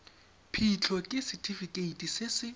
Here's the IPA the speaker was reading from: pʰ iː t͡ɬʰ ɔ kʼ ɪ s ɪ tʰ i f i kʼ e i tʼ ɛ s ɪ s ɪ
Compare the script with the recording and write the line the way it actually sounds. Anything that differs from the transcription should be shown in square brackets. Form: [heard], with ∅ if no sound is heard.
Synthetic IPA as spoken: pʰ [i] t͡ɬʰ ɔ kʼ ɪ s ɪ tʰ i f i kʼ e i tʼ [i] s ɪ s ɪ